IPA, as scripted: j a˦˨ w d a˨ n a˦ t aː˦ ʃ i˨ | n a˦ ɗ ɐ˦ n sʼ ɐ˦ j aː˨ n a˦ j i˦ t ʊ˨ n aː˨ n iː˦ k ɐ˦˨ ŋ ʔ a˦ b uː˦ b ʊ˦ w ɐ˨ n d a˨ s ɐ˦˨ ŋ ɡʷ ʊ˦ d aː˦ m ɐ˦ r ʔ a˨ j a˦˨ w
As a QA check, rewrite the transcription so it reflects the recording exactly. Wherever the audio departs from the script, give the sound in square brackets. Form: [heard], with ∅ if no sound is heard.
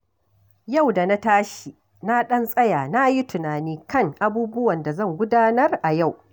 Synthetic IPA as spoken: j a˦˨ w d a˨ n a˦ t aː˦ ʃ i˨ | n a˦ ɗ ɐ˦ n sʼ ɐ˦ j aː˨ n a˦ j i˦ t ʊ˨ n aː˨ n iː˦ k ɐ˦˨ ŋ ʔ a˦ b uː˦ b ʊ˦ w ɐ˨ n d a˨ [z] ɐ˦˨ ŋ ɡʷ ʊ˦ d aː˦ [n] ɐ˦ r ʔ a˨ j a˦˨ w

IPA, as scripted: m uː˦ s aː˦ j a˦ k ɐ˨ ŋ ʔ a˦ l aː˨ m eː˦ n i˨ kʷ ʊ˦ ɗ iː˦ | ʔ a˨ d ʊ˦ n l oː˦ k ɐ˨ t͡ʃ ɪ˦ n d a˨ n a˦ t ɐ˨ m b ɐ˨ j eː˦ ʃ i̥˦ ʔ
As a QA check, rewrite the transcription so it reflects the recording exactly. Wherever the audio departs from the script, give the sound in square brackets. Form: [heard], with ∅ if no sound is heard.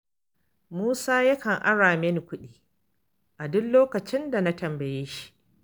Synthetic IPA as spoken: m uː˦ s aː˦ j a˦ k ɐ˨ ŋ ʔ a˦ [ɽ] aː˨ m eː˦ n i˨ kʷ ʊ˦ ɗ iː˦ | ʔ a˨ d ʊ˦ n l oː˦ k ɐ˨ t͡ʃ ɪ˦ n d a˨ n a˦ t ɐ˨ m b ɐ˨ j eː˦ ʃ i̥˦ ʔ

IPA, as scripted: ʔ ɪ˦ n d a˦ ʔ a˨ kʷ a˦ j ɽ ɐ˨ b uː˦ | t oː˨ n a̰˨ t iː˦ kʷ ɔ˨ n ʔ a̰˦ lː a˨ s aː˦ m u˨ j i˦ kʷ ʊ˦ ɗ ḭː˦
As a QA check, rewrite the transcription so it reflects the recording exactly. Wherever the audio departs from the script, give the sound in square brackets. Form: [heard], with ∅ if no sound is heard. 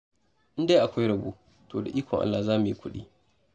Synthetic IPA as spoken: ʔ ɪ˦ n d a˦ ʔ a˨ kʷ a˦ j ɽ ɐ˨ b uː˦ | t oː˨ [d] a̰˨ [ʔ] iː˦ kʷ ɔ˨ [ŋ] ʔ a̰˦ lː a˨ [z] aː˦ m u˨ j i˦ kʷ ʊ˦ ɗ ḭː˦

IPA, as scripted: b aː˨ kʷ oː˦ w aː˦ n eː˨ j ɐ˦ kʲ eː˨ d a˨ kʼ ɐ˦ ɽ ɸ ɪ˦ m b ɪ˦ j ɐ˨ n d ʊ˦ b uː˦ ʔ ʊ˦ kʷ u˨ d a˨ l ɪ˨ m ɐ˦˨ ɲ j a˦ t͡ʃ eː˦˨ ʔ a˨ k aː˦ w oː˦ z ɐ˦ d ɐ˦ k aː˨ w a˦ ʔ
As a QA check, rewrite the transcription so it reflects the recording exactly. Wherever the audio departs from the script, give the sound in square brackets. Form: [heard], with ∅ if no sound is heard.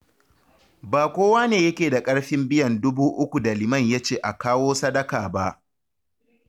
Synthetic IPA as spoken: b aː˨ kʷ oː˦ w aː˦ n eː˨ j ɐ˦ kʲ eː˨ d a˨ kʼ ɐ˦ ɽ ɸ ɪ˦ m b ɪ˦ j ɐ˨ n d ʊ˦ b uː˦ ʔ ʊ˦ kʷ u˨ d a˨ l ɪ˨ m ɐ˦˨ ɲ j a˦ t͡ʃ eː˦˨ ʔ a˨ k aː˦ w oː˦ [s] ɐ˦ d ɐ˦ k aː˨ [b] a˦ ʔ

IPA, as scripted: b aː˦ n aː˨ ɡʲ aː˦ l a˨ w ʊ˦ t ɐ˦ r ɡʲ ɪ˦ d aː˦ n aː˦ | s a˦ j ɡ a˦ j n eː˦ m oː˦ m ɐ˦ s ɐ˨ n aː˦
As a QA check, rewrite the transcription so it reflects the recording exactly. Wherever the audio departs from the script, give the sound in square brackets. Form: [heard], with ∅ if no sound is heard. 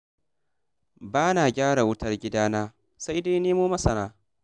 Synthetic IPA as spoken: b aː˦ n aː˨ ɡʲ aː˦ [ɽ] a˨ w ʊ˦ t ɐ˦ r ɡʲ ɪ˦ d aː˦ n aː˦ | s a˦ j [d] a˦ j n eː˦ m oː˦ m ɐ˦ s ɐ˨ n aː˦

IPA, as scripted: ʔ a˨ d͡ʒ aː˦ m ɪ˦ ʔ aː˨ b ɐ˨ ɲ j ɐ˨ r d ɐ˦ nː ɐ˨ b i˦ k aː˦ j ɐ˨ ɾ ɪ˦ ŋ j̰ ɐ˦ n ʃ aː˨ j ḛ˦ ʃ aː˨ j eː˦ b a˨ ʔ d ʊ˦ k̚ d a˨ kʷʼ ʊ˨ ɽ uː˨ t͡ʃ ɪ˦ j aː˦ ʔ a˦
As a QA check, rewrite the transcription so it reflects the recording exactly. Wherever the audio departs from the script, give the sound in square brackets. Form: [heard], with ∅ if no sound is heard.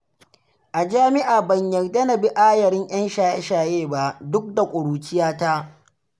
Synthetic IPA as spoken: ʔ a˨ d͡ʒ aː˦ m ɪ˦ ʔ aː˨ b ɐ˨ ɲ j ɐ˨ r d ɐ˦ [n] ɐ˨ b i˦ [ʔ] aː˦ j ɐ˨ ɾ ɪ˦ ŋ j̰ ɐ˦ n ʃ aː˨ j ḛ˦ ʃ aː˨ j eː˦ b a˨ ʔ d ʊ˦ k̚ d a˨ kʷʼ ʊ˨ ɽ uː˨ t͡ʃ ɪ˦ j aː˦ [t] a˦

